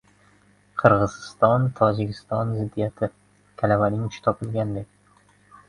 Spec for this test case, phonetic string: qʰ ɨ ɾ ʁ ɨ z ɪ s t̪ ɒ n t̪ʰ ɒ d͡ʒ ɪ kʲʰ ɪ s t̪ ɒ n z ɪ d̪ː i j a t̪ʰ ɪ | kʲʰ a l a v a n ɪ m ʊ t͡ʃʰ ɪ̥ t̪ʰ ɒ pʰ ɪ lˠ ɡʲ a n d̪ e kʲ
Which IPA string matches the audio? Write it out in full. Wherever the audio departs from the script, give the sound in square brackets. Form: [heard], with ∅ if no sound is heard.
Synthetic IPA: qʰ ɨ ɾ ʁ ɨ z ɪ s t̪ ɒ n t̪ʰ ɒ d͡ʒ ɪ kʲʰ ɪ s t̪ ɒ n z ɪ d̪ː i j a t̪ʰ ɪ | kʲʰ a l a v a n ɪ [ŋ] ʊ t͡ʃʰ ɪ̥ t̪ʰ ɒ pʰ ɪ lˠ ɡʲ a n d̪ e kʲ